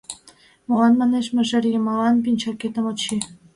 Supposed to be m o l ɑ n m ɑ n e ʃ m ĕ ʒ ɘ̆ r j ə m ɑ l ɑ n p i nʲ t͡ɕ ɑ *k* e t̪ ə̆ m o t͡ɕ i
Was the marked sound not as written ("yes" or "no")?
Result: no